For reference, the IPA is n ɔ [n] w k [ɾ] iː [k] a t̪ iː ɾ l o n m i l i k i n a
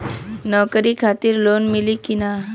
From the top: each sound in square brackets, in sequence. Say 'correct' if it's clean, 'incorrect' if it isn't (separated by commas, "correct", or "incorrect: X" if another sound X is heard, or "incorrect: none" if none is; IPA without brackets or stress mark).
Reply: incorrect: none, correct, incorrect: kʰ